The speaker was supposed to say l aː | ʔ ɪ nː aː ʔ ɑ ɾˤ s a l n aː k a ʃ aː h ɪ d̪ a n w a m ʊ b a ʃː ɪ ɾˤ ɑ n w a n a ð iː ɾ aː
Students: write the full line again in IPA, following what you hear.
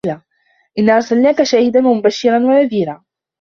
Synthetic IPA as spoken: l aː | ʔ ɪ nː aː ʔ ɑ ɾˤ s a l n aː k a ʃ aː h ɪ d̪ a n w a m ʊ b a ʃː ɪ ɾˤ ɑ n w a n a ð iː ɾ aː